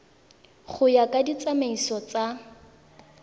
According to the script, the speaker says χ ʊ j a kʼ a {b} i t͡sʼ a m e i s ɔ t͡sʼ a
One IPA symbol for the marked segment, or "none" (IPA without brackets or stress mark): d